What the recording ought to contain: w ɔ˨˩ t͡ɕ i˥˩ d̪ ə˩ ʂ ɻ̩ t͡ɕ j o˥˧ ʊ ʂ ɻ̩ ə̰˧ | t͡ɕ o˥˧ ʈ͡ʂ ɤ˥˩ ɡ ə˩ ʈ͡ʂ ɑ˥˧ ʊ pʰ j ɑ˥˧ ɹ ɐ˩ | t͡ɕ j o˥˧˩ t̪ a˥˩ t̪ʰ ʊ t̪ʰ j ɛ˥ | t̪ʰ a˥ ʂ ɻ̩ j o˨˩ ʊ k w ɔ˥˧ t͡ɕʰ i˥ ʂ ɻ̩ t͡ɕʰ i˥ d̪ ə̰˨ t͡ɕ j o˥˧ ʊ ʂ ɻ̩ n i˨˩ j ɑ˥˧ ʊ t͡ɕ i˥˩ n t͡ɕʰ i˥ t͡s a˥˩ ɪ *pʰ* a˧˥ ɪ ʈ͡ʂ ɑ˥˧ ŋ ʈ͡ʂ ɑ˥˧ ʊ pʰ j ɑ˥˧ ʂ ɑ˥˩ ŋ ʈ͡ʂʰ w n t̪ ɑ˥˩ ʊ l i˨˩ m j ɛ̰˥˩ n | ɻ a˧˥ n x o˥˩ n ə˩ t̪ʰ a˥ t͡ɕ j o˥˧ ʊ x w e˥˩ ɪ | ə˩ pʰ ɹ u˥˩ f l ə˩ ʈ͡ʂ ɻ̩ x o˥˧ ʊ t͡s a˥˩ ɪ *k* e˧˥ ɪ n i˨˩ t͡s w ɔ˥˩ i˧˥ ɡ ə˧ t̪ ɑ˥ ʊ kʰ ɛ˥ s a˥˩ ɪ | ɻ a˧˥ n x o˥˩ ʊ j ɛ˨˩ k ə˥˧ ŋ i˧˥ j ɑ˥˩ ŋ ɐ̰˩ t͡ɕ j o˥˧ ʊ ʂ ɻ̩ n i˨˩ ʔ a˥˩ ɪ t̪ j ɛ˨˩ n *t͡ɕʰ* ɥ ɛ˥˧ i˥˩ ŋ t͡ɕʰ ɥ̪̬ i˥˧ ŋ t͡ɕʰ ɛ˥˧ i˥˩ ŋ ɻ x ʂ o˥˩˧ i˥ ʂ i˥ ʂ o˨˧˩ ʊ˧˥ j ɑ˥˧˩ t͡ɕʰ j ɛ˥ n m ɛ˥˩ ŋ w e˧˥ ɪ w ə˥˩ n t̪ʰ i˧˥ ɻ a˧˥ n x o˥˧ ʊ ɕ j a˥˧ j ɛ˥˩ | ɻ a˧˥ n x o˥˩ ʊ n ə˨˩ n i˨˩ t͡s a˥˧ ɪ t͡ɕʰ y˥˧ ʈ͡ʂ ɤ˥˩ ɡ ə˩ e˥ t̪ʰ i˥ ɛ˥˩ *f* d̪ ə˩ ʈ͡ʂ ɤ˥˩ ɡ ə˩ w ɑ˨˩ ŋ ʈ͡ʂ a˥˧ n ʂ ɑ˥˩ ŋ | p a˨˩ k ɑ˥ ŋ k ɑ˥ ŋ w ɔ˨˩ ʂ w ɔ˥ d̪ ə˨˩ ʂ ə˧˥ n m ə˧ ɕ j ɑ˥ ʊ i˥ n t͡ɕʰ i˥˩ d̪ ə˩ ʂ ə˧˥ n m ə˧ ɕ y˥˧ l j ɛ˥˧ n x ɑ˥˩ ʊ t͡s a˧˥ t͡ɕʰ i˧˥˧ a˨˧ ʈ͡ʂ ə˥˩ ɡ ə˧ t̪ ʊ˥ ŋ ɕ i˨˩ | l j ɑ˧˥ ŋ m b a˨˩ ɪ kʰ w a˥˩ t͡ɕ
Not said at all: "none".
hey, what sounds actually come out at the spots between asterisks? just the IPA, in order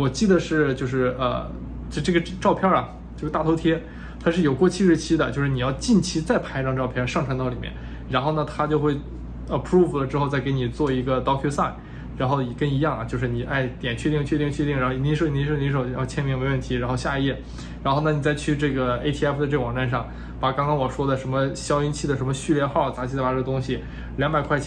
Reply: pʰ, k, t͡ɕʰ, f

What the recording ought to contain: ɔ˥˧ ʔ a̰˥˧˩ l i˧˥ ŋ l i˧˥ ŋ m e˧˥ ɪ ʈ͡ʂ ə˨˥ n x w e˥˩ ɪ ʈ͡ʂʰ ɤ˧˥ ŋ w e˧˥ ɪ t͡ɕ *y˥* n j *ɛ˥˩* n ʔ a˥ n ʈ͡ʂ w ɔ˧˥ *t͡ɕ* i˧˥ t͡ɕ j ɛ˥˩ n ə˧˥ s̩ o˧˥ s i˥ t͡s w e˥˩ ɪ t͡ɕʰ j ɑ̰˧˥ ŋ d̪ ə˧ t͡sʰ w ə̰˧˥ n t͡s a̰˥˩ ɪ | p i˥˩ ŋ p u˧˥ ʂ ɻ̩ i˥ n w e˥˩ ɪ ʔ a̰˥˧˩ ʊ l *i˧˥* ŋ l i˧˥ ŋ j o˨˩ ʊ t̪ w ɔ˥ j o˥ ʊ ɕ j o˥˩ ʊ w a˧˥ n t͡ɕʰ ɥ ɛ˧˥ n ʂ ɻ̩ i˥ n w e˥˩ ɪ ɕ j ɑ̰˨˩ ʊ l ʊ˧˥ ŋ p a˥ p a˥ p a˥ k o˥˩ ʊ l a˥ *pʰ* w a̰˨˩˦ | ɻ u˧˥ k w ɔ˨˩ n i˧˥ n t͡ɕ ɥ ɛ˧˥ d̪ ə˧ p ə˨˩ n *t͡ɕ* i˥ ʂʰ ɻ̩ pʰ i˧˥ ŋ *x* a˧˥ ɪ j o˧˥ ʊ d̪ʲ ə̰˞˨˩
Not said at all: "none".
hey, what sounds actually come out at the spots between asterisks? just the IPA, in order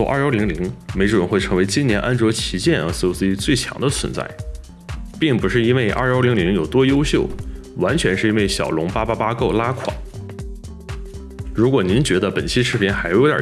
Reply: i˥, ɛ˧˥, t͡ɕʰ, i˧˥, kʰ, t͡ɕʰ, x

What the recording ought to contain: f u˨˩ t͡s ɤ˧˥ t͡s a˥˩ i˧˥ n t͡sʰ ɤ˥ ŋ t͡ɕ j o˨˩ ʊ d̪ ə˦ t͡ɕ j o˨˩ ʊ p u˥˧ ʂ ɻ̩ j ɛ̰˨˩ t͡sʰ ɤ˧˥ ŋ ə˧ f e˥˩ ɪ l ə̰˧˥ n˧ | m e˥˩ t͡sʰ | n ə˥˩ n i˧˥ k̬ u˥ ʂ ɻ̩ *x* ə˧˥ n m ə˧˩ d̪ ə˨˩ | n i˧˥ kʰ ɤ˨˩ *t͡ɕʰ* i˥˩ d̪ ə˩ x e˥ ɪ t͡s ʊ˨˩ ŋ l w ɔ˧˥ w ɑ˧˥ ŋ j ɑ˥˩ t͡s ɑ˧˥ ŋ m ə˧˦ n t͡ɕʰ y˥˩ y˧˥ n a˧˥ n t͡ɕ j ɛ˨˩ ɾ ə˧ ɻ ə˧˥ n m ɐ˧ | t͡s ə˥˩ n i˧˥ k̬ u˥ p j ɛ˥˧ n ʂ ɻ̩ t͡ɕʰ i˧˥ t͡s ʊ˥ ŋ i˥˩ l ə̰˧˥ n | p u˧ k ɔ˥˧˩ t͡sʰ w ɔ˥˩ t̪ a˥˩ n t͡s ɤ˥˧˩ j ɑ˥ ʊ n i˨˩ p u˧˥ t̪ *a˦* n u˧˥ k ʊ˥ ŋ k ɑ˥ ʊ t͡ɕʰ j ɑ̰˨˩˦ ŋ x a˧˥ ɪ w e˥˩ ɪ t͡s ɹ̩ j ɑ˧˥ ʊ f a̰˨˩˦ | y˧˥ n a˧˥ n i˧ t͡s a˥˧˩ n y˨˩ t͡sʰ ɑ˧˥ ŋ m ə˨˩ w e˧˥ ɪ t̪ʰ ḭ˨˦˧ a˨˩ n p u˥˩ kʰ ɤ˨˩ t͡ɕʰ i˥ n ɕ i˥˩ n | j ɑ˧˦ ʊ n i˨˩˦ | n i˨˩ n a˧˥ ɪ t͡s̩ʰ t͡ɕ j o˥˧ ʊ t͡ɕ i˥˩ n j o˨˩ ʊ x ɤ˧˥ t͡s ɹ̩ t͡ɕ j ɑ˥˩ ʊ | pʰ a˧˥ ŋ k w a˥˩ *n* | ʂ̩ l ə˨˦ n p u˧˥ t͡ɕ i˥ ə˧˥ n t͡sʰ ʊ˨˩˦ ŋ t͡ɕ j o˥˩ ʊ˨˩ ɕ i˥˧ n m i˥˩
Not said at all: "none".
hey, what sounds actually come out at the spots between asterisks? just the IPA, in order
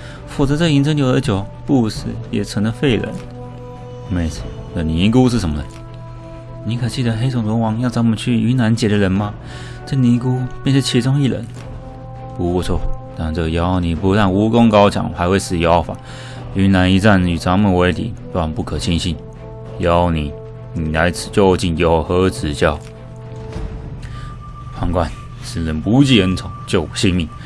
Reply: ʂ, t͡ɕ, a˥˩, n

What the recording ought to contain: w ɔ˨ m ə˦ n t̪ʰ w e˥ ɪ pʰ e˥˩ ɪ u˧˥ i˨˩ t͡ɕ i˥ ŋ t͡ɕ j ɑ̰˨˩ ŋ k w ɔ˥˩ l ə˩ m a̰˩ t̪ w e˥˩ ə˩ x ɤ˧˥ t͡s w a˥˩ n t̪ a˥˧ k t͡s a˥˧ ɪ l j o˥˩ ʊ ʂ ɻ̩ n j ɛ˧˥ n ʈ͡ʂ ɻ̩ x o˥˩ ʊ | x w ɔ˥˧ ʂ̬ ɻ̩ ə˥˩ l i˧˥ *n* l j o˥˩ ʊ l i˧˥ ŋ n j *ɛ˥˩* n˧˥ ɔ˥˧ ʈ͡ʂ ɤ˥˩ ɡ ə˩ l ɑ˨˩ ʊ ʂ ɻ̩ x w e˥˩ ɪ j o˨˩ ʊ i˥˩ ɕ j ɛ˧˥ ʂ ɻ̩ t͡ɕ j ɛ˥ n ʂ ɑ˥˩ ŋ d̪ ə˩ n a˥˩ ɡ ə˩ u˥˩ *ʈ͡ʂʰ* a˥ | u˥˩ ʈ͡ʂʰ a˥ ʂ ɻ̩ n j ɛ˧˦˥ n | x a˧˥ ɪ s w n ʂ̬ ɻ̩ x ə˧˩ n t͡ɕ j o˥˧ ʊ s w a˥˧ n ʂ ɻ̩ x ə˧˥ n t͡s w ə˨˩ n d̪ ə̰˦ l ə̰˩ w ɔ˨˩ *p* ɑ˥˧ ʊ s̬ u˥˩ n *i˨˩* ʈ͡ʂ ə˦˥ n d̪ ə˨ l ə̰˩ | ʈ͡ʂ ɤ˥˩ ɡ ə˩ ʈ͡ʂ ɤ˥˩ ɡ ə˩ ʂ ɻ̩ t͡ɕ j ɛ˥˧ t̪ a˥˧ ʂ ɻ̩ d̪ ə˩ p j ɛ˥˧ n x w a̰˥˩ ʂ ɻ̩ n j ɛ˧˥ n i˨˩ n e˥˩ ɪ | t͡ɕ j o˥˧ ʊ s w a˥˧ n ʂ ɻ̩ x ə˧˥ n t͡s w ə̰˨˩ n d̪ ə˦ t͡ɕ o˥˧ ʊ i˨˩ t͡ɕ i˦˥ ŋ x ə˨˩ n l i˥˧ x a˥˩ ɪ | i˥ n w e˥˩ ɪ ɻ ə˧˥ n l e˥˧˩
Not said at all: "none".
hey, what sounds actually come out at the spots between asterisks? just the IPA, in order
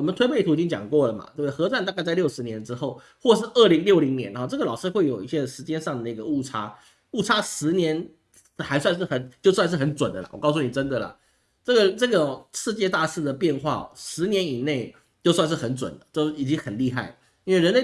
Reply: ŋ, ɛ˧˥, ʈ͡ʂʰ, k, i˨˩

